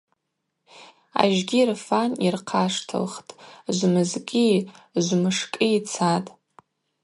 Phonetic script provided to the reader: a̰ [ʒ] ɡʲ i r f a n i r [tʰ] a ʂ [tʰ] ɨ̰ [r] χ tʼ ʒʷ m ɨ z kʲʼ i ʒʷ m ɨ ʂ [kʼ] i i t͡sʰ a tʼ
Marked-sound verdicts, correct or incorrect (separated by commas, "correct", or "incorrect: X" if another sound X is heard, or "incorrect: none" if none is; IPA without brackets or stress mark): correct, incorrect: qʰ, correct, incorrect: l, correct